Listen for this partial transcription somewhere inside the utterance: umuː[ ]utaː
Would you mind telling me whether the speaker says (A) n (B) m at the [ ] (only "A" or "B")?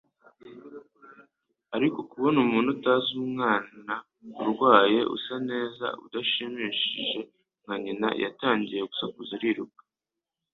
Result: A